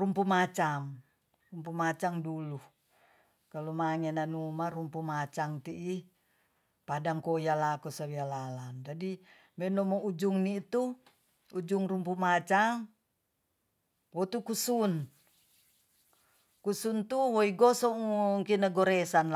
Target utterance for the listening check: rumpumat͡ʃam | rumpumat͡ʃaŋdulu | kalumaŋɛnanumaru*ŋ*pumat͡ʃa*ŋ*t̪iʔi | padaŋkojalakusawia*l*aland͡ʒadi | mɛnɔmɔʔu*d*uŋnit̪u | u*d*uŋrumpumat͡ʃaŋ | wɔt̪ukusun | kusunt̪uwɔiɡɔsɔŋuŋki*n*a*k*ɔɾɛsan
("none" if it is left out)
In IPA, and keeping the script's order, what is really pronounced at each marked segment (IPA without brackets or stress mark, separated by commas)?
m, ŋ, l, d͡ʒ, d͡ʒ, n, ɡ